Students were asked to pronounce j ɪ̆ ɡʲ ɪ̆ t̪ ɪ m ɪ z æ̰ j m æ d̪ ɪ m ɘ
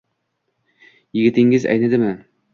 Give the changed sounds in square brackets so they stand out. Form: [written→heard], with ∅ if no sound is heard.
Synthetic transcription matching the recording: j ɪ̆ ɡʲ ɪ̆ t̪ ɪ [m→ŋ] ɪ z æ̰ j [m→n] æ d̪ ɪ m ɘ